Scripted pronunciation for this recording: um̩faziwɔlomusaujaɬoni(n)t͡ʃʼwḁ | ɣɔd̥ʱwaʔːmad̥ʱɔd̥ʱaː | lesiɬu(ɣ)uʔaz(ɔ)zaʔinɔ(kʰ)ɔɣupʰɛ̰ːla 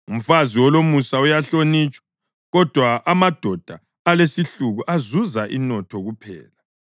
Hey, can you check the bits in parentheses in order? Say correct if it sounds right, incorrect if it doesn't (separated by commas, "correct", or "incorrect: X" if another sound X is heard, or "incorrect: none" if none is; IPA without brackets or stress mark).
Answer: incorrect: none, correct, incorrect: u, incorrect: tʰ